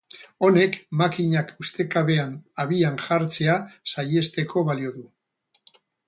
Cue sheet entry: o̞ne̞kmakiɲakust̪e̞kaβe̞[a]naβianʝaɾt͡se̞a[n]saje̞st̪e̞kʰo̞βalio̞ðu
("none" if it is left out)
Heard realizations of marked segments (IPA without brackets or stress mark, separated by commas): a, none